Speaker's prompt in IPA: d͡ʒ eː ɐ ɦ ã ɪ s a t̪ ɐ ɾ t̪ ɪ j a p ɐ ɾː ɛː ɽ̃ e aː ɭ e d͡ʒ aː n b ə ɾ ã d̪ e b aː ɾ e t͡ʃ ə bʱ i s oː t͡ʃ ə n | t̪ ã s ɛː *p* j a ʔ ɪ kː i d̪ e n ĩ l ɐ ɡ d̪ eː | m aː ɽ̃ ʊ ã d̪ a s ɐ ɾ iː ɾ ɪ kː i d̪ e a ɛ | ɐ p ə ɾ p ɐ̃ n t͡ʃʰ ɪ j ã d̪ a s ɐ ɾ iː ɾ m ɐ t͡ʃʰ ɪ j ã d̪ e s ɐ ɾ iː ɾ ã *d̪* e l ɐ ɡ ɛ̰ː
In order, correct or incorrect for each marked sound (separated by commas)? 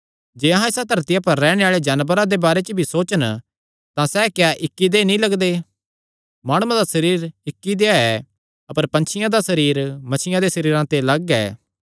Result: incorrect, incorrect